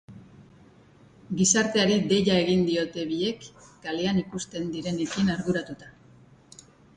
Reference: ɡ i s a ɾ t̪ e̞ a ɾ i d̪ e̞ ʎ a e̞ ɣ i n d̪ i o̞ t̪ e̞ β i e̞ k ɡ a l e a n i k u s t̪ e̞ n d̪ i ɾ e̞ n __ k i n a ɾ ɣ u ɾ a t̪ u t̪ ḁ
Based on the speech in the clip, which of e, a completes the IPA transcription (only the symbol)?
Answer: e